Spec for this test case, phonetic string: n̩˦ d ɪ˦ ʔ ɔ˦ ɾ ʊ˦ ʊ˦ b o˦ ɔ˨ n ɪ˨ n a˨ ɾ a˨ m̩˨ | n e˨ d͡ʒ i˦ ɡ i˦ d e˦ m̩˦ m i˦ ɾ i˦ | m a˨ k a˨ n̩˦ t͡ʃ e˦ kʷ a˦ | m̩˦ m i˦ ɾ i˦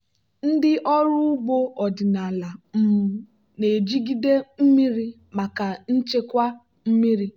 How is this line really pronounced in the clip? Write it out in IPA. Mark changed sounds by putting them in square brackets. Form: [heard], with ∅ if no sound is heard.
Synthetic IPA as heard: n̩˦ d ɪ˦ ʔ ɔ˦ ɾ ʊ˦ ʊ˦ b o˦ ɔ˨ [d] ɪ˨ n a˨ [l] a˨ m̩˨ | n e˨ d͡ʒ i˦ ɡ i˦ d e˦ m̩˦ m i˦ ɾ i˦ | m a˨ k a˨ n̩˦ t͡ʃ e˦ kʷ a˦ | m̩˦ m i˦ ɾ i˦